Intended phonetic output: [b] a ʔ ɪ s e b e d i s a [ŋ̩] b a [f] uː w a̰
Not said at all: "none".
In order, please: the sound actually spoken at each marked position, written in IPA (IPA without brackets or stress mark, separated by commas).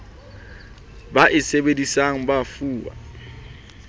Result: b, ŋ̩, f